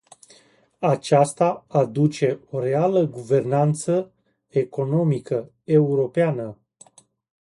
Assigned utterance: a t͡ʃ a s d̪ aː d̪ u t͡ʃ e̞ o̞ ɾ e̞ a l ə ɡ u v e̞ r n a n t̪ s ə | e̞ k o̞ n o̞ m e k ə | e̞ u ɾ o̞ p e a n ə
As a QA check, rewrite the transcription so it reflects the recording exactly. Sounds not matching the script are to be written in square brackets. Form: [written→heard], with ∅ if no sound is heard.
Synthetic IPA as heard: a t͡ʃ a s [d̪→t̪] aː d̪ u t͡ʃ e̞ o̞ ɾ e̞ a l ə ɡ u v e̞ r n a n t̪ s ə | e̞ k o̞ n o̞ m [e→i] k ə | e̞ u ɾ o̞ p e a n ə